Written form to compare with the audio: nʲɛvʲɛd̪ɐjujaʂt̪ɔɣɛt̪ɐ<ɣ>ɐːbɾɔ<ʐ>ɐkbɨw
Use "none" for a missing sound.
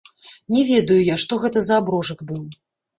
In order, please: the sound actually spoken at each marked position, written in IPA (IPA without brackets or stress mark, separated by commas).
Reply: z, ʐ